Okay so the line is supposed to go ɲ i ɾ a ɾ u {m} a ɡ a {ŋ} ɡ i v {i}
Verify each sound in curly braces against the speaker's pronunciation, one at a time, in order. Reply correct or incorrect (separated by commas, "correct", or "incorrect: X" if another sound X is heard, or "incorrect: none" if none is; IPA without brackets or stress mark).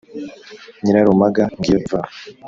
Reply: correct, correct, incorrect: a